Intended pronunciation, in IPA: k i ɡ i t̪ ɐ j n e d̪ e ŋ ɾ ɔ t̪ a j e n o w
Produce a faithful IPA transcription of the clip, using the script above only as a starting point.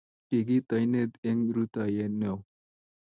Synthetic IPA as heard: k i ɡ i t̪ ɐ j n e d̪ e ŋ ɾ u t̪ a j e n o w